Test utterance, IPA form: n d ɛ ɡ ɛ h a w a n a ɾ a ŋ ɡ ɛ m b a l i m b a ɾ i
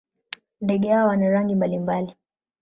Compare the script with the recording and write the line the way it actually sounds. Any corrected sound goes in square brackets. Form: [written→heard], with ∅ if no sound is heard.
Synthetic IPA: n d ɛ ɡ ɛ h a w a n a ɾ a ŋ ɡ [ɛ→i] m b a l i m b a [ɾ→l] i